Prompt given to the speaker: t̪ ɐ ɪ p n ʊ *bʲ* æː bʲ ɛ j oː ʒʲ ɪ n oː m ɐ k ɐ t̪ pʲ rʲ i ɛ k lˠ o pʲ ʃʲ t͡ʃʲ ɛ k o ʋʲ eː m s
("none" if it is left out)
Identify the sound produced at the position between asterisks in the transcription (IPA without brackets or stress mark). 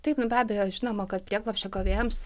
bʲ